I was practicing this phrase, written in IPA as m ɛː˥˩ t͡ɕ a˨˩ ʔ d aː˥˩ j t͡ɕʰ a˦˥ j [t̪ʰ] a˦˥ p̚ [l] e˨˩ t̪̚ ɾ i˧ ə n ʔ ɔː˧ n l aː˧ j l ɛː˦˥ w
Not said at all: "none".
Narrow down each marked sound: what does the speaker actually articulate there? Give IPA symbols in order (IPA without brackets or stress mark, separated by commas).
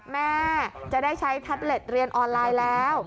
t̪ʰ, l